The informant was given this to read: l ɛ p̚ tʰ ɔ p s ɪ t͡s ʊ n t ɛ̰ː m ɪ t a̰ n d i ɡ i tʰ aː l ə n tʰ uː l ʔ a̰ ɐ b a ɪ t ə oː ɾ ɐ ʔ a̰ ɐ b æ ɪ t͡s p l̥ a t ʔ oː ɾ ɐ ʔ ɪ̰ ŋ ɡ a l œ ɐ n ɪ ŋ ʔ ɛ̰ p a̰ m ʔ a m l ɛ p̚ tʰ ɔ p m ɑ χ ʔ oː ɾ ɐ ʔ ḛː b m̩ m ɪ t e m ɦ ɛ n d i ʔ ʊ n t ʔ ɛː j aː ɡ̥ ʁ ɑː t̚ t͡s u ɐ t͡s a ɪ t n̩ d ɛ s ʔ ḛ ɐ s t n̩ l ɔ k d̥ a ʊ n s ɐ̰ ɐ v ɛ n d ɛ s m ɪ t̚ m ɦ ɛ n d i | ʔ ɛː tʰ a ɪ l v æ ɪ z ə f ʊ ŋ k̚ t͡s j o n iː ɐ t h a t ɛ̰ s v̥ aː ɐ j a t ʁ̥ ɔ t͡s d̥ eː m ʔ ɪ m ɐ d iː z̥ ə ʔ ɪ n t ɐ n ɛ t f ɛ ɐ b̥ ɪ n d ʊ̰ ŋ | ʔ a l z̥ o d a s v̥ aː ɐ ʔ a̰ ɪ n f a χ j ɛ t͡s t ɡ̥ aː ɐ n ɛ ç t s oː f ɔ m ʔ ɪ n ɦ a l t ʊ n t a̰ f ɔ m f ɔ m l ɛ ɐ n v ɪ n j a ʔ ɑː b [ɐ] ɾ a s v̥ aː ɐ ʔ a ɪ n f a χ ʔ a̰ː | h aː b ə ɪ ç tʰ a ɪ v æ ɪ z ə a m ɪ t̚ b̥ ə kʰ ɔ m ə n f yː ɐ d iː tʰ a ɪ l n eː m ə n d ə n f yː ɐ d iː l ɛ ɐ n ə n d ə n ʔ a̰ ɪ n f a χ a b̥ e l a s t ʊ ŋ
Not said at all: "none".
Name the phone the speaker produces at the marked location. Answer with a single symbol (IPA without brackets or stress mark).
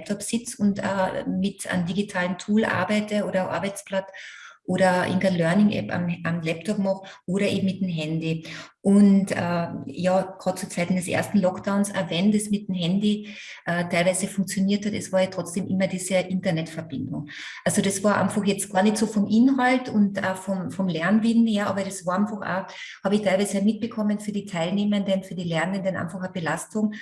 ɐ